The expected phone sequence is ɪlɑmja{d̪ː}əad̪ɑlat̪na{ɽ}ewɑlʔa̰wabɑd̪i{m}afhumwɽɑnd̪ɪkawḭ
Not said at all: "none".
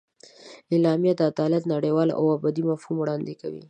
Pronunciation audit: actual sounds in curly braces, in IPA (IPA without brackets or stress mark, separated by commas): d̪, ɽ, m